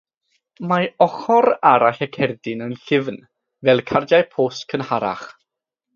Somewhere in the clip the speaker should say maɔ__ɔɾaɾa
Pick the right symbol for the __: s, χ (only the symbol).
χ